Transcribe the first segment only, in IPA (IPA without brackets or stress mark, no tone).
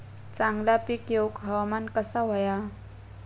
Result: t͡s